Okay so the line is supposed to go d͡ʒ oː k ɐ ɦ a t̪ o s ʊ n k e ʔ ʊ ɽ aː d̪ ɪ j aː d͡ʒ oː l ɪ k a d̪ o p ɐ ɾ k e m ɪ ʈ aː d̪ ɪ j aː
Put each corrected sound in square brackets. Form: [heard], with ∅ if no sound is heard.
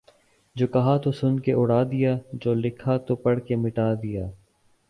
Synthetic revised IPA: d͡ʒ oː k ɐ ɦ a t̪ o s ʊ n k e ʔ ʊ ɽ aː d̪ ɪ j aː d͡ʒ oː l ɪ [kʰ] a [t̪] o p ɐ [ɽ] k e m ɪ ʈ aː d̪ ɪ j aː